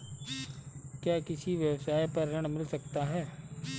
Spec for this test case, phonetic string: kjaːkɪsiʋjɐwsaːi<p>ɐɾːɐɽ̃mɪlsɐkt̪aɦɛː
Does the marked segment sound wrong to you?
no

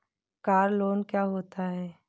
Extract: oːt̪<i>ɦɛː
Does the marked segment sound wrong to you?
yes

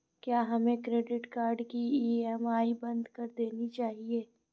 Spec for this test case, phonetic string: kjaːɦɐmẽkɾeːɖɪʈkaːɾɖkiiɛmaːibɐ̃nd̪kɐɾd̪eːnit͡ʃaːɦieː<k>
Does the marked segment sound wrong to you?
yes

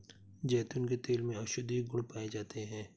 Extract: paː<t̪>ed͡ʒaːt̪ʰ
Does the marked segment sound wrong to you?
yes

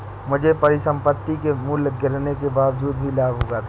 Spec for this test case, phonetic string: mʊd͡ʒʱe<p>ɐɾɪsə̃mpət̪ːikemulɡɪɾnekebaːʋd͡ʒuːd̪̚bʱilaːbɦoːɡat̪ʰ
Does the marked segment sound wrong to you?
no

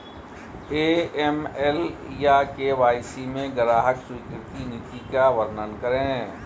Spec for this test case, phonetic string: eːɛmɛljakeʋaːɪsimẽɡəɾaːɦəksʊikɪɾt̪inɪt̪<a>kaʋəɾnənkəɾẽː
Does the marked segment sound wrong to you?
yes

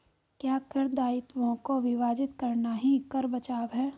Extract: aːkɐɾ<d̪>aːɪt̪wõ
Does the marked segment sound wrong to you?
no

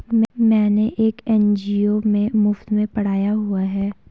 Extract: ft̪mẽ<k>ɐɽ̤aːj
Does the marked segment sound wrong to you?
yes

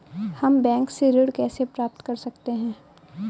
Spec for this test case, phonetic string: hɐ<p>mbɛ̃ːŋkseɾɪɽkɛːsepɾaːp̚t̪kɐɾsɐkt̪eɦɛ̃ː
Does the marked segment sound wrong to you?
yes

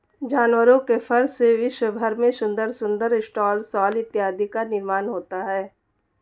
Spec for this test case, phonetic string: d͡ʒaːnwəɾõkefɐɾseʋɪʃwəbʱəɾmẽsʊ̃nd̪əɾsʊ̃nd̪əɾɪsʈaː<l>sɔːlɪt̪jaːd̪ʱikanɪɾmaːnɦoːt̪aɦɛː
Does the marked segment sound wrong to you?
no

